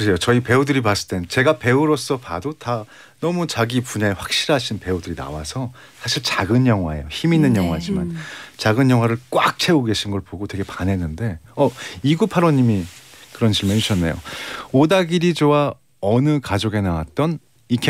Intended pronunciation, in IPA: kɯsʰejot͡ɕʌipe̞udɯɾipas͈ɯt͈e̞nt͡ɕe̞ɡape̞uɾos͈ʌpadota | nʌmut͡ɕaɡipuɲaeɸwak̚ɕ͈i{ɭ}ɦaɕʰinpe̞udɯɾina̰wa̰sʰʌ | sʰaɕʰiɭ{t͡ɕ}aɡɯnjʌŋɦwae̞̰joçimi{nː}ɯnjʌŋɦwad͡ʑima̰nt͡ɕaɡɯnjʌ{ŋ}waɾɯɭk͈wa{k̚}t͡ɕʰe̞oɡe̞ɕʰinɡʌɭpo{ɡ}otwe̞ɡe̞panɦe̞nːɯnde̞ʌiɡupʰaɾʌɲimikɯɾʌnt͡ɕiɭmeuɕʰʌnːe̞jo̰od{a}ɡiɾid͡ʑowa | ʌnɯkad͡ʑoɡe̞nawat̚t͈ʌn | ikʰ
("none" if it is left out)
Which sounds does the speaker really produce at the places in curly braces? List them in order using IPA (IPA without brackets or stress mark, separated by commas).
ɾ, t͡ɕ, nː, ŋ, k̚, ɡ, a